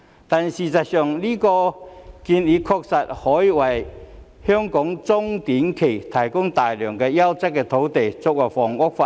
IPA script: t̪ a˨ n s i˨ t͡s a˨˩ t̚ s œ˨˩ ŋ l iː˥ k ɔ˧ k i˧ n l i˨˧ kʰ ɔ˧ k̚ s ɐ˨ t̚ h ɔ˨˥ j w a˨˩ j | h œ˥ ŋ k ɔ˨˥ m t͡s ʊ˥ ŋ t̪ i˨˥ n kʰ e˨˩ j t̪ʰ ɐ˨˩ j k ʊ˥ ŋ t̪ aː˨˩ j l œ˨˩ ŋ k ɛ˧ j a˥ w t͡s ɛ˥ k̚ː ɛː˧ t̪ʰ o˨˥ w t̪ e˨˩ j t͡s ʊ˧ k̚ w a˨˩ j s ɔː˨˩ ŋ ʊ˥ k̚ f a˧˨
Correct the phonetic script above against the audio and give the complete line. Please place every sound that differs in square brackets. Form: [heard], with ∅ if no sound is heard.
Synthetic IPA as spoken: t̪ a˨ n s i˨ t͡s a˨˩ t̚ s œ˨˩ ŋ l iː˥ k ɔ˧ k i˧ n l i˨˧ kʰ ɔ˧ k̚ s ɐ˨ t̚ h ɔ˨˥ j w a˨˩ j | h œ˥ ŋ k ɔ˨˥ [ŋ] t͡s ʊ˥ ŋ t̪ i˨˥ n kʰ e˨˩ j t̪ʰ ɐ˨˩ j k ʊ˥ ŋ t̪ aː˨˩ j l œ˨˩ ŋ k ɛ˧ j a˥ w t͡s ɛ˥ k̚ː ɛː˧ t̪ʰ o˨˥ w t̪ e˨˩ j t͡s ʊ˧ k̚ w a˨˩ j [f] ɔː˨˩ ŋ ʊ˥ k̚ f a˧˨